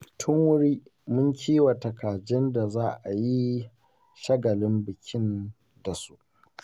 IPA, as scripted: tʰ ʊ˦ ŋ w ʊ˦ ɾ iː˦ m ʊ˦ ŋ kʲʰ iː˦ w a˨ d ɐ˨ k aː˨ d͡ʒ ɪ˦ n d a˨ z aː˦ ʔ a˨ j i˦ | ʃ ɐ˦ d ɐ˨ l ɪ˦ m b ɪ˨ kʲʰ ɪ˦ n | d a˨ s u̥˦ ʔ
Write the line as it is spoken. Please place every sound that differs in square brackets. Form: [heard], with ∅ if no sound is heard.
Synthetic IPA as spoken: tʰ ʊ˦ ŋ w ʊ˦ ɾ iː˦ m ʊ˦ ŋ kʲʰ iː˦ w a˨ [t] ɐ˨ k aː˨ d͡ʒ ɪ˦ n d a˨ z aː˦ ʔ a˨ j i˦ | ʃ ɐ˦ [ɡ] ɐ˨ l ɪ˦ m b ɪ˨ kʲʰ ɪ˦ n | d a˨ s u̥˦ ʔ

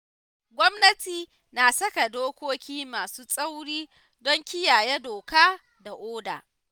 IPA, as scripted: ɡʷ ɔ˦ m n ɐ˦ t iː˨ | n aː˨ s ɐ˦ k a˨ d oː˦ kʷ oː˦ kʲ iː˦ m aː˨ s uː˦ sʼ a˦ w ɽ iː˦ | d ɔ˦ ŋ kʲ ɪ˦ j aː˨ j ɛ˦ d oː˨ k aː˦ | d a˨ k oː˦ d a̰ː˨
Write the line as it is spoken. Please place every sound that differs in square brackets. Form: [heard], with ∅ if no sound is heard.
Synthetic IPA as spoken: ɡʷ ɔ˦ m n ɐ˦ t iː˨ | n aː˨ s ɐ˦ k a˨ d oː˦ kʷ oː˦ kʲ iː˦ m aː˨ s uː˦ sʼ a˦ w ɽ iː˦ | d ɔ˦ ŋ kʲ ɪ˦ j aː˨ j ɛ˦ d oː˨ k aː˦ | d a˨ [ʔ] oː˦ d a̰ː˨

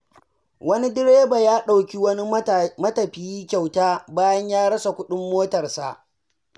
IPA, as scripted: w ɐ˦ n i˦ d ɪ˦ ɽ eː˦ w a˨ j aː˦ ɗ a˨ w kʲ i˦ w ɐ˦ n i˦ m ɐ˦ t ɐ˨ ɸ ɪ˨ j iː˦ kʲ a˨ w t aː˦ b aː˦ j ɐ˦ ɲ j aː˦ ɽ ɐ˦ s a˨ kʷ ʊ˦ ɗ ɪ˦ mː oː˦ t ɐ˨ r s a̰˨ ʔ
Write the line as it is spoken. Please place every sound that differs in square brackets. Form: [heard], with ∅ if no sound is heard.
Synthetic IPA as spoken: w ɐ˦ n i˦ d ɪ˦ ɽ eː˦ [b] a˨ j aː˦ ɗ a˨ w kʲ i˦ w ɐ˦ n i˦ m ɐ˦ t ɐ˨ ɸ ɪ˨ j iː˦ kʲ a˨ w t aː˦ b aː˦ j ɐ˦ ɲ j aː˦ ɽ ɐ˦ s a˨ kʷ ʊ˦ ɗ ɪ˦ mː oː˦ t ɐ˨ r s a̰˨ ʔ

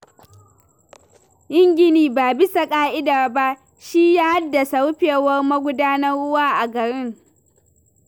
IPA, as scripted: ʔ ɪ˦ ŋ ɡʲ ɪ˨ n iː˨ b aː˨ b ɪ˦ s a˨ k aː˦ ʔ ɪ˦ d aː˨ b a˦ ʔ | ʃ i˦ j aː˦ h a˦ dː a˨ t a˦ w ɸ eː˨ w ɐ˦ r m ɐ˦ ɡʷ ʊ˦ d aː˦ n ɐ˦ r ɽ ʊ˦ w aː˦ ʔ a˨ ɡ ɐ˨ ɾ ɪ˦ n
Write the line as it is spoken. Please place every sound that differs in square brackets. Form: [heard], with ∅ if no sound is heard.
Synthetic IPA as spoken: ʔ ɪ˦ ŋ ɡʲ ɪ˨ n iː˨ b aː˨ b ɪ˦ s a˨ [kʼ] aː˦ ʔ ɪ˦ d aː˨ b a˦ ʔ | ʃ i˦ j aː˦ h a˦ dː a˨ [s] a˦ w ɸ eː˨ w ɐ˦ r m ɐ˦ ɡʷ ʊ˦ d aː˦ n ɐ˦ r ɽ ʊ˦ w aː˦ ʔ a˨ ɡ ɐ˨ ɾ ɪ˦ [ŋ]

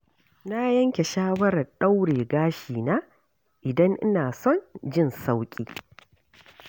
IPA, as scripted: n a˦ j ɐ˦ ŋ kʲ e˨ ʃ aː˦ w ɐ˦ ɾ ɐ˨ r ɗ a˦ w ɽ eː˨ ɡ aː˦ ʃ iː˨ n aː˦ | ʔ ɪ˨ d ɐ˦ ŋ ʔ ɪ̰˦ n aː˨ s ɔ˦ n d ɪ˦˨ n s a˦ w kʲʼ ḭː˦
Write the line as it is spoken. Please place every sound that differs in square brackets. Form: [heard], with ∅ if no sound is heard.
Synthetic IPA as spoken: n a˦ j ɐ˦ ŋ kʲ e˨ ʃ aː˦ w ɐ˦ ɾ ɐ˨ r ɗ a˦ w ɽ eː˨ ɡ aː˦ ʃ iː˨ n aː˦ | ʔ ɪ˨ d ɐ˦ ŋ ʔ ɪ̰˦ n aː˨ s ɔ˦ n [d͡ʒ] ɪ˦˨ n s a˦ w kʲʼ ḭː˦

